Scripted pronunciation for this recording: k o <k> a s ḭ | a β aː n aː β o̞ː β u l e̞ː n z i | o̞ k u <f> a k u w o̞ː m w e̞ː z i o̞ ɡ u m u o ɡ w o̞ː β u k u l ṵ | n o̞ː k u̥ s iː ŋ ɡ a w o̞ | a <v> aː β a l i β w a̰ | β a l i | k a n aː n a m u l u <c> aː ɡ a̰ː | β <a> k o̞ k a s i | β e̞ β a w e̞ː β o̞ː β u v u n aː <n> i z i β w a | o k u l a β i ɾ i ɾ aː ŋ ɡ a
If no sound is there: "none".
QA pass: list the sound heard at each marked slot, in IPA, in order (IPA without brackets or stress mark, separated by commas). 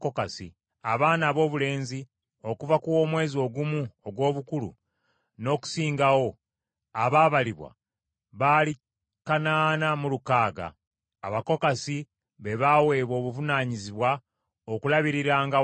k, v, β, k, a, ɲ